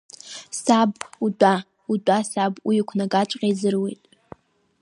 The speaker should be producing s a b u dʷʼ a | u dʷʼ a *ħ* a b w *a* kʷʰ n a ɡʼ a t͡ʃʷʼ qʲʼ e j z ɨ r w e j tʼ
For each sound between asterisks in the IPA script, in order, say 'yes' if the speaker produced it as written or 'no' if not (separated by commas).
no, no